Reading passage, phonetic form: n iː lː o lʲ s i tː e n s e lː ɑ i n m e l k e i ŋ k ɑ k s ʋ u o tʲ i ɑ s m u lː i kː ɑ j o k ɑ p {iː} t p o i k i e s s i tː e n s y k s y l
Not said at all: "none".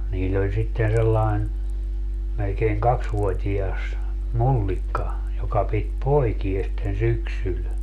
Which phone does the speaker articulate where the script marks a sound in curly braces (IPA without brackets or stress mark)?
i